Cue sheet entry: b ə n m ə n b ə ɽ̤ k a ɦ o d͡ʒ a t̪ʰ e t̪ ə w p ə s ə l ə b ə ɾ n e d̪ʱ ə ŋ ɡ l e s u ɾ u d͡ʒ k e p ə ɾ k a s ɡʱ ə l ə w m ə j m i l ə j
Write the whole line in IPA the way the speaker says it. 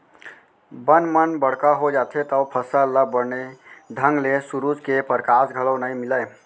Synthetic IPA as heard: b ə n m ə n b ə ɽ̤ k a ɦ o d͡ʒ a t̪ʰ e t̪ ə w pʰ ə s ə l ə b ə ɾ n e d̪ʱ ə ŋ ɡ l e s u ɾ u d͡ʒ k e p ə ɾ k a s ɡʱ ə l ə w n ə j m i l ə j

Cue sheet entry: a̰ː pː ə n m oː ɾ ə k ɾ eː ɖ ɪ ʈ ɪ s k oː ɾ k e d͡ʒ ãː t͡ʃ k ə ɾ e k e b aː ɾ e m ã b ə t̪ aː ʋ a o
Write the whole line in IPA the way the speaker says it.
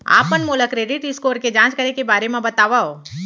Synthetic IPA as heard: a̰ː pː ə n m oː l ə k ɾ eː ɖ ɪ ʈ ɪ s k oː ɾ k e d͡ʒ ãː t͡ʃ k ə ɾ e k e b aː ɾ e m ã b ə t̪ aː ʋ a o

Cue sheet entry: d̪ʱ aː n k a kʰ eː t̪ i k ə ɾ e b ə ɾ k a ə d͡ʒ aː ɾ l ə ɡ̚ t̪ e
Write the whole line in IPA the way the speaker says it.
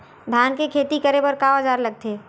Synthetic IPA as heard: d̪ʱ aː n k e kʰ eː t̪ i k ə ɾ e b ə ɾ k a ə d͡ʒ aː ɾ l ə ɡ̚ t̪ e

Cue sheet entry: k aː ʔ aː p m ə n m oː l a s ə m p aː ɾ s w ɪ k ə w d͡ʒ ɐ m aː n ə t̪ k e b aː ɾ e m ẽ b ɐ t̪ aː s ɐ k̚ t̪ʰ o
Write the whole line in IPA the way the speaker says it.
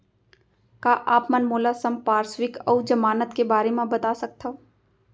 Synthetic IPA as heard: k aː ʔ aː p m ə n m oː l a s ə m p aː ɾ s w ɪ k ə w d͡ʒ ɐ m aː n ə t̪ k e b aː ɾ e m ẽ b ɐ t̪ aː s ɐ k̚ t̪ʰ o

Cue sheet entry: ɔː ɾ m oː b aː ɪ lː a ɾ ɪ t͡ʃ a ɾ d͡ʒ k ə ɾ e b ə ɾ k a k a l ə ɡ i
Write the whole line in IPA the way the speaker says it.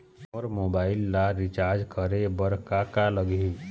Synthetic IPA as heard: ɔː ɾ m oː b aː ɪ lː a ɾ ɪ t͡ʃ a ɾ d͡ʒ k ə ɾ e b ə ɾ k a k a l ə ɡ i

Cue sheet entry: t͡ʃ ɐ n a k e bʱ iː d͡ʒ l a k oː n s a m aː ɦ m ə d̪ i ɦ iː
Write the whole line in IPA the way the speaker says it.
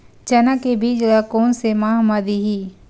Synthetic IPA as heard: t͡ʃ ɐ n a k e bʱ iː d͡ʒ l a k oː n s e m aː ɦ m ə d̪ i ɦ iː

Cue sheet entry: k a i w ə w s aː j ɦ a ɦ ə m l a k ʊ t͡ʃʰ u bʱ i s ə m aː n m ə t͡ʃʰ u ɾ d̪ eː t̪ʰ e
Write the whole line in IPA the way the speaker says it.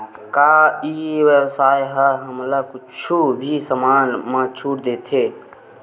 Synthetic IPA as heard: k a i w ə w s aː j ɦ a ɦ ə m l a k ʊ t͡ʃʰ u bʱ i s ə m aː n m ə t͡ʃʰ u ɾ d̪ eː t̪ʰ e

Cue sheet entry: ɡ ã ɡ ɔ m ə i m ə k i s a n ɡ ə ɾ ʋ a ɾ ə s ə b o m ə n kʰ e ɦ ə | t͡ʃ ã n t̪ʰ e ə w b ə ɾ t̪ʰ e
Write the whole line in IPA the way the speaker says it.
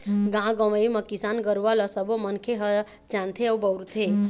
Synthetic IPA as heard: ɡ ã ɡ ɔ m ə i m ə k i s a n ɡ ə ɾ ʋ a l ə s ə b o m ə n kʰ e ɦ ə | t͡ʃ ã n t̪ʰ e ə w b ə ɾ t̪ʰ e

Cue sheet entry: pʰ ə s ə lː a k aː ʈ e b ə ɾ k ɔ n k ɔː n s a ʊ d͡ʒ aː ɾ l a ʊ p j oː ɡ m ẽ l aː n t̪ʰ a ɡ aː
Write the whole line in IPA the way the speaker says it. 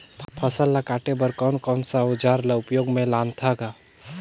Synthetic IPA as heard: pʰ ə s ə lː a k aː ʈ e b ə ɾ k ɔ n k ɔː n s a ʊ d͡ʒ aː ɾ l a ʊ p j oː ɡ m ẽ l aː n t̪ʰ a ɡ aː

